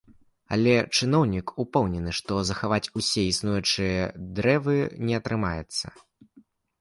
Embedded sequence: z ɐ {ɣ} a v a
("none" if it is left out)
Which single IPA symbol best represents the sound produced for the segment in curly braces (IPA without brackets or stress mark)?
x